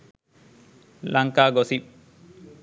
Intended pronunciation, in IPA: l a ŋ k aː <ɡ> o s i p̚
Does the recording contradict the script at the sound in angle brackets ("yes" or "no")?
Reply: no